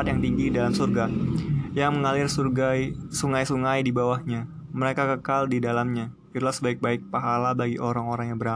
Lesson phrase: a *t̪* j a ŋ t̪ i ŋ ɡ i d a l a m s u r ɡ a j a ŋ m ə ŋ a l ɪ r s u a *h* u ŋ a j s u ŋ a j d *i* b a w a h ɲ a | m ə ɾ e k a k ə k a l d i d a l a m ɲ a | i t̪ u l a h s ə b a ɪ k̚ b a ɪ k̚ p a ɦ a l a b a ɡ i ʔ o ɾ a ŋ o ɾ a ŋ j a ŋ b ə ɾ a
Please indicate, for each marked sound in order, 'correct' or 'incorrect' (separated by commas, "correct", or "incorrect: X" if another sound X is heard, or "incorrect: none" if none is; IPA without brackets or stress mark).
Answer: correct, incorrect: s, correct